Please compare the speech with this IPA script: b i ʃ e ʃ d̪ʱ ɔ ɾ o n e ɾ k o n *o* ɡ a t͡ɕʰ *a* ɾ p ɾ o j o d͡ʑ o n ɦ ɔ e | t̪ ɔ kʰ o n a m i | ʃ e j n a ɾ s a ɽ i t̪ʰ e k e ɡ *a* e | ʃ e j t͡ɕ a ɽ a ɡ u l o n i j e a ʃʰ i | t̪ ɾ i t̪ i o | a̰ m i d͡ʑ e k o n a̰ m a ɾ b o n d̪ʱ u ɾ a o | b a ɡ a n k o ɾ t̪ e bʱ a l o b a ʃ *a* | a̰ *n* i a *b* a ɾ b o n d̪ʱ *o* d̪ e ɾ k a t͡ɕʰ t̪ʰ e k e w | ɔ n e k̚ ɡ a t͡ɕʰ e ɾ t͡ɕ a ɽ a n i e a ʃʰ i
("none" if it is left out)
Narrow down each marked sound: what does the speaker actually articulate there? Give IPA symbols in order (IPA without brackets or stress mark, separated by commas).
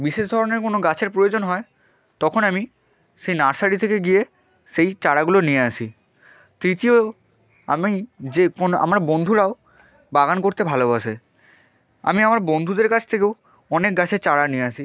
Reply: o, e, i, e, m, m, u